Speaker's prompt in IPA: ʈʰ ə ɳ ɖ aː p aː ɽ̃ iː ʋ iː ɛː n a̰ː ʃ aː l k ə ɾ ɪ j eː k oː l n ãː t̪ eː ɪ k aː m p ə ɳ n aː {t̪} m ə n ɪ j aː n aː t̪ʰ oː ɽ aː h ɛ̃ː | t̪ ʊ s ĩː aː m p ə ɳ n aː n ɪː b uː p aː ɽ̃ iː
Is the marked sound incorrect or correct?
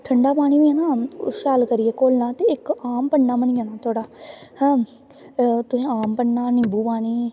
incorrect: none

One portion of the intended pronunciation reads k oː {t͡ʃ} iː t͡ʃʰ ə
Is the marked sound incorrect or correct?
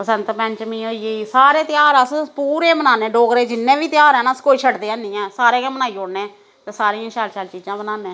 incorrect: none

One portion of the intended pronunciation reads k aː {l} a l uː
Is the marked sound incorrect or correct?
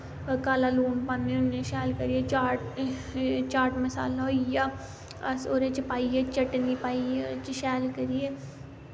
correct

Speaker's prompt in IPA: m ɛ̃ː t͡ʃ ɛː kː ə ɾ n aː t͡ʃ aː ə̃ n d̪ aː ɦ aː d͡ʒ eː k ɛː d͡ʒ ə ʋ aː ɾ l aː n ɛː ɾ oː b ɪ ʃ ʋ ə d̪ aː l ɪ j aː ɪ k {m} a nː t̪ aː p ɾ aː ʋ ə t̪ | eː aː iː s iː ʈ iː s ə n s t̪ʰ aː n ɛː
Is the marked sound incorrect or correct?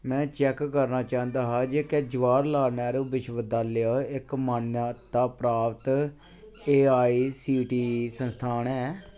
correct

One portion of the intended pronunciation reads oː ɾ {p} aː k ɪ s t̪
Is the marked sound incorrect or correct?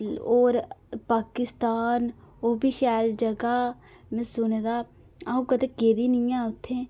correct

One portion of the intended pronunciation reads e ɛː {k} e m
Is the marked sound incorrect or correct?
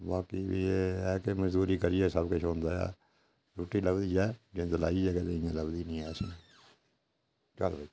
correct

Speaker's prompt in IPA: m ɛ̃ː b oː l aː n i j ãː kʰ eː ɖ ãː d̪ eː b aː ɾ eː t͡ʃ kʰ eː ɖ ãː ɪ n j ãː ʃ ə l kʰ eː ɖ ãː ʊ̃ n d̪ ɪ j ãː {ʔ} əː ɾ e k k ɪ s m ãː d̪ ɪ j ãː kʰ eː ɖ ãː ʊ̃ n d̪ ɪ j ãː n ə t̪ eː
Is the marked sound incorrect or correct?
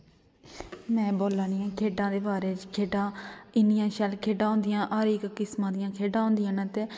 correct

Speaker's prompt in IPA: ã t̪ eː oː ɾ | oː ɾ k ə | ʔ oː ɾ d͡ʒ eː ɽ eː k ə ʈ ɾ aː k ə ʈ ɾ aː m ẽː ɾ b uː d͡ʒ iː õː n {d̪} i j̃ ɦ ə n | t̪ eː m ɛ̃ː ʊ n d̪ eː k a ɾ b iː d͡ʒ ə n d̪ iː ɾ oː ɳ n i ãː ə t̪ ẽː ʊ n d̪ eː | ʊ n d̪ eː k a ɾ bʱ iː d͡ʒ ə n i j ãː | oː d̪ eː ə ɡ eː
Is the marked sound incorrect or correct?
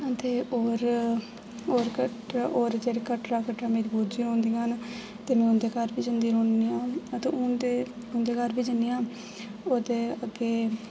correct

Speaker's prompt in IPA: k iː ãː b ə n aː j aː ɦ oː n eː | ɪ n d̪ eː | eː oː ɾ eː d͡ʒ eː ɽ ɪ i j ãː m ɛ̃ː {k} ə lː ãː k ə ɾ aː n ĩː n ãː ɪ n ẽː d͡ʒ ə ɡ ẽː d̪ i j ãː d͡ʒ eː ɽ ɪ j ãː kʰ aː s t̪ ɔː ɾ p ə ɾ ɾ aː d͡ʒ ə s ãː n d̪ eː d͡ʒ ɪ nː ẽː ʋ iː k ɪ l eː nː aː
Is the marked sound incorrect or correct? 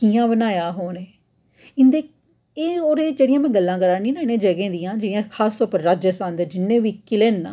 incorrect: ɡ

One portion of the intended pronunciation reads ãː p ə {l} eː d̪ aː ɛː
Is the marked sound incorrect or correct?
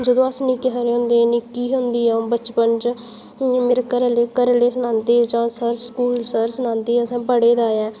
incorrect: ɽ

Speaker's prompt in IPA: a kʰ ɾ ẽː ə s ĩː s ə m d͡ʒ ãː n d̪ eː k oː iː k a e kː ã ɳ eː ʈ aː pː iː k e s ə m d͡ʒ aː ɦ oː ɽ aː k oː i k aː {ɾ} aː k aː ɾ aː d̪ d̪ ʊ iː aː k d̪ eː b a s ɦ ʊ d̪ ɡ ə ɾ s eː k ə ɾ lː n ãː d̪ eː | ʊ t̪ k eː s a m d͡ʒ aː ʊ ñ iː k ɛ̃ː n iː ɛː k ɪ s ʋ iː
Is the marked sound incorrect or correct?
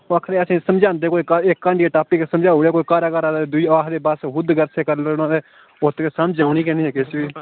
correct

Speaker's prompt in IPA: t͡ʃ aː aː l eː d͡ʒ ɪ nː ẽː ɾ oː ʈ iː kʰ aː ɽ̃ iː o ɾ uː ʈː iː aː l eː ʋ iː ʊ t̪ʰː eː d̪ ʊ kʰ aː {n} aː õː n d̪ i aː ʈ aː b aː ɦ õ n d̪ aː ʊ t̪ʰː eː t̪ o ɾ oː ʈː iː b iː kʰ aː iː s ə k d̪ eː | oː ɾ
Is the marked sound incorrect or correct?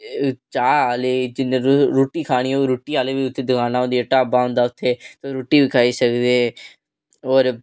correct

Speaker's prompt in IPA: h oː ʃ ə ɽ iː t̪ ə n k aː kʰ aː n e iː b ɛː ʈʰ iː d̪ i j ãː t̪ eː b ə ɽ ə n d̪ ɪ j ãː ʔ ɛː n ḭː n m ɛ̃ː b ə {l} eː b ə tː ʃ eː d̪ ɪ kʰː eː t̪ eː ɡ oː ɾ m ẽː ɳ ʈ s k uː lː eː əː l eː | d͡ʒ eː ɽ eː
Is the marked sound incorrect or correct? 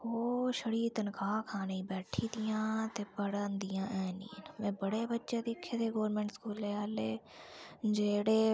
incorrect: ɽ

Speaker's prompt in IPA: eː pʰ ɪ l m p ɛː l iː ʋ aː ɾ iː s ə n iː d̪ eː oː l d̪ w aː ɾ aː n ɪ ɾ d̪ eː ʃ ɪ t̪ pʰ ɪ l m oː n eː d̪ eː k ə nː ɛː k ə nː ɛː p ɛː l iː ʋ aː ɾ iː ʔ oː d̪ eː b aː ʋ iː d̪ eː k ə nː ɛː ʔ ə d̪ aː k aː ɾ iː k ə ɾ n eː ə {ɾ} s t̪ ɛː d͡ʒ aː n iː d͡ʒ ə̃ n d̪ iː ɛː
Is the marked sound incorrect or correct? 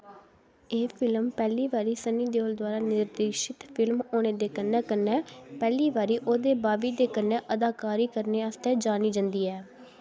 incorrect: none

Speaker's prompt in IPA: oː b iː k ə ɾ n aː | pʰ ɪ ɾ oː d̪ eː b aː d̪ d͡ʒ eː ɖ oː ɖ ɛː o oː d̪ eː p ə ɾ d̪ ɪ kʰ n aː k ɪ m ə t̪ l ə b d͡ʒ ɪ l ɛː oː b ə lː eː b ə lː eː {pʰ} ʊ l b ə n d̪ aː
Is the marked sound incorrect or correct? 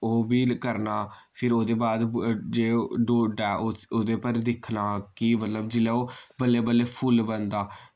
correct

